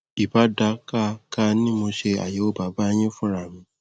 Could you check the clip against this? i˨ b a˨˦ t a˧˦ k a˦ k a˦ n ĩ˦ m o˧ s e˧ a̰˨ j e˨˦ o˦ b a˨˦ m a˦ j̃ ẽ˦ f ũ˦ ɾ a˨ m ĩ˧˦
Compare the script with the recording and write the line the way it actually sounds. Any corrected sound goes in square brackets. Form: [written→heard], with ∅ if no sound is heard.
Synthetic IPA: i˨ b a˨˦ [t→d] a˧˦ k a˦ k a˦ n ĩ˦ m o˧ [s→ʃ] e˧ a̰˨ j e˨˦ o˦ b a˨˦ [m→b] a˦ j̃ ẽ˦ f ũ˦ ɾ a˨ m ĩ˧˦